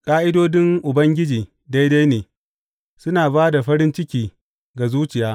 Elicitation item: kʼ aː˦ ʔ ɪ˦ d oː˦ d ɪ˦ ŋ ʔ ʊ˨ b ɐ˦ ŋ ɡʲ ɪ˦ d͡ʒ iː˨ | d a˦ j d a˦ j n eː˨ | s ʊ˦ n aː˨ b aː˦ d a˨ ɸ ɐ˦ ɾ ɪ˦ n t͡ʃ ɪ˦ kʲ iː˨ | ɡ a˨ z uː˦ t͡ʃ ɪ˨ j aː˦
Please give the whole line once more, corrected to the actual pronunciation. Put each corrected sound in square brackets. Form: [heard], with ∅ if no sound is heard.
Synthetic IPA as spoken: kʼ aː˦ ʔ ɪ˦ d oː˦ d ɪ˦ ŋ ʔ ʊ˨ b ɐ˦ ŋ ɡʲ ɪ˦ d͡ʒ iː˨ | d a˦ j d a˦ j n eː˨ | s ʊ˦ n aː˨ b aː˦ d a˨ ɸ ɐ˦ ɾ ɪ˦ n t͡ʃ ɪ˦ kʲ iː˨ | ɡ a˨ z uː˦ t͡ʃ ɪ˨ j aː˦